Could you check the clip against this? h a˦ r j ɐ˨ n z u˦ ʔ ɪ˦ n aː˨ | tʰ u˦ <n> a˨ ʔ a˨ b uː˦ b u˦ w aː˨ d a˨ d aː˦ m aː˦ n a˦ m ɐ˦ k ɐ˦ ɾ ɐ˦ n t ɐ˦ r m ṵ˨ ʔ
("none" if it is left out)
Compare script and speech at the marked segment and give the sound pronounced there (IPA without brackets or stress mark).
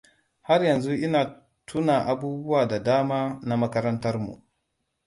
n